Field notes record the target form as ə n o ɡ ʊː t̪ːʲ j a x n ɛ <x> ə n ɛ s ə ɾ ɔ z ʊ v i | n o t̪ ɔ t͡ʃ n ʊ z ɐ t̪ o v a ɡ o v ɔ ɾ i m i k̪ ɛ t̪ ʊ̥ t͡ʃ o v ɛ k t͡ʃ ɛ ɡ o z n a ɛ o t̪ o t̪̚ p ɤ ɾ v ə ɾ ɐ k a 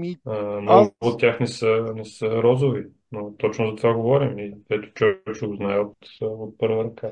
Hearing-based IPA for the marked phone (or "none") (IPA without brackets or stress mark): s